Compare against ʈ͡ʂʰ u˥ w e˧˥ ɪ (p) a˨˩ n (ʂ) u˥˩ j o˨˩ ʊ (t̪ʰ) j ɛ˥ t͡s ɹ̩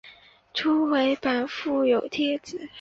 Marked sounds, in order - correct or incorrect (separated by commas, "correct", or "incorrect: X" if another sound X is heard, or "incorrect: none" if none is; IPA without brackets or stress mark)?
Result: correct, incorrect: f, correct